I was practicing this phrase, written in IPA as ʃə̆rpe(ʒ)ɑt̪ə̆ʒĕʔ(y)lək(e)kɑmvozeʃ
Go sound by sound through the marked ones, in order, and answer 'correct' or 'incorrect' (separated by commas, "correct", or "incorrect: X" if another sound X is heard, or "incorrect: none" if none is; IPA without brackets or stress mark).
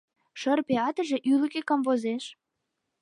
incorrect: none, correct, correct